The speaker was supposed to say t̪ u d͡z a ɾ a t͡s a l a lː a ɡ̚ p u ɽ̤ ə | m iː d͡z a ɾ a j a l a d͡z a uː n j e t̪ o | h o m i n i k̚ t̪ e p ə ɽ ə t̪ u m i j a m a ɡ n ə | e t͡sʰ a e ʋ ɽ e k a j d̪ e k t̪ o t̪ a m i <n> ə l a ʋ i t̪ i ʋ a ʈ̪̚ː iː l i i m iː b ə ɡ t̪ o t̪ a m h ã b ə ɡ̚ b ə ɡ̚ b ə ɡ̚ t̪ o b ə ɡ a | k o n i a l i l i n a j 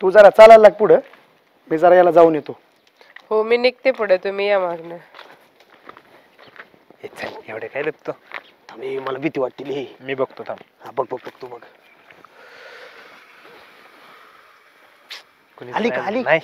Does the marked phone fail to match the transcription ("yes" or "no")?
yes